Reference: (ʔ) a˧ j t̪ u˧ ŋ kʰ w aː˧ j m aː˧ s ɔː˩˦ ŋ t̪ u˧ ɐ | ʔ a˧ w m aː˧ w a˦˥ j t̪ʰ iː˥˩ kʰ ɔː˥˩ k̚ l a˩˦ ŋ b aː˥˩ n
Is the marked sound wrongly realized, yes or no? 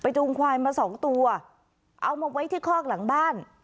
yes